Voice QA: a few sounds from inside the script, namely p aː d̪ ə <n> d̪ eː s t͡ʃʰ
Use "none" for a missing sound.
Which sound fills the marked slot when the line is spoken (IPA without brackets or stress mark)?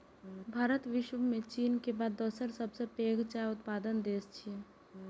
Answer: n